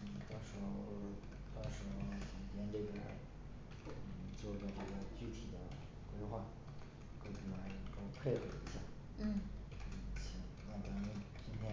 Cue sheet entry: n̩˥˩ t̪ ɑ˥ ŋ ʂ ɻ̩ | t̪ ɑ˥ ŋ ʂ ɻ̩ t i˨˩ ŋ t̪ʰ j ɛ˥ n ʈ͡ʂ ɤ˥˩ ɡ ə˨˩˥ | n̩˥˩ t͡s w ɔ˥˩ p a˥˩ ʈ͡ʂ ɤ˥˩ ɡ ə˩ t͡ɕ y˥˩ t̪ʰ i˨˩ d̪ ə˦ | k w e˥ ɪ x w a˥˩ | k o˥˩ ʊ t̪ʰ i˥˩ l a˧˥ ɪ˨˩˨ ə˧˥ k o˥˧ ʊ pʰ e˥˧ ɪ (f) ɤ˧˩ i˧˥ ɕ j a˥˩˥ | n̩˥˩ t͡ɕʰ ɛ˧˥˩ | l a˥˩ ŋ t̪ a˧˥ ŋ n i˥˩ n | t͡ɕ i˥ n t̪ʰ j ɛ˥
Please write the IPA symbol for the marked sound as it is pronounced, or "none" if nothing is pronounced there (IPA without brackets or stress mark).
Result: x